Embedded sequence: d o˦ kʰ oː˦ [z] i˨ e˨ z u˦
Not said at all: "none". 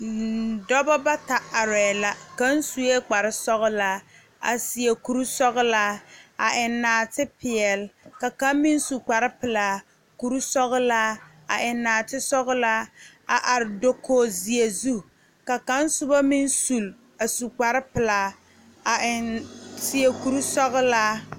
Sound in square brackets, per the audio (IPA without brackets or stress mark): z